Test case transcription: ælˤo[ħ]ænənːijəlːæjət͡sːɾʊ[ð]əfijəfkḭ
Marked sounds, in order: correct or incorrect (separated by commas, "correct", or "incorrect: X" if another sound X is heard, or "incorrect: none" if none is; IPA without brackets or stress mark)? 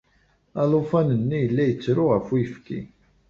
incorrect: f, incorrect: ʁ